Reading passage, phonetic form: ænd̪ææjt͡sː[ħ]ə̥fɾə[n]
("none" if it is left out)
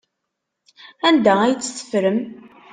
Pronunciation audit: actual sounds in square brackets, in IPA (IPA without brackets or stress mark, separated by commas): θ, m